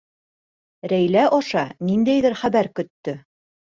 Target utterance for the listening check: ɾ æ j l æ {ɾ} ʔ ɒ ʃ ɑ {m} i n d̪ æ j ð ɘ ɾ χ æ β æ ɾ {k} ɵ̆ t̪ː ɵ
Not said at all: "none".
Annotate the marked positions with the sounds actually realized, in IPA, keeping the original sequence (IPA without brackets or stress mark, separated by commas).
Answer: none, n, k